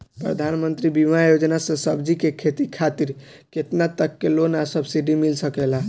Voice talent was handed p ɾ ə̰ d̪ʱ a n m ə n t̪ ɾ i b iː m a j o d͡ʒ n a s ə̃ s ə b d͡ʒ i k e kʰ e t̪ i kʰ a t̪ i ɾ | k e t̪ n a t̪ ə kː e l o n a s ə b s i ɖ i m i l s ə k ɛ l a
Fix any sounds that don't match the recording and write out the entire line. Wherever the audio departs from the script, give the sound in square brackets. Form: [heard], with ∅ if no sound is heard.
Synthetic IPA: p ɾ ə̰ d̪ʱ a n m ə n t̪ ɾ i b [i] m a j o d͡ʒ n a s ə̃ s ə b d͡ʒ i k e kʰ e t̪ i kʰ a t̪ i ɾ | k e t̪ n a t̪ ə kː e l o n a s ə b s i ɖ i m i l s ə k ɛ l a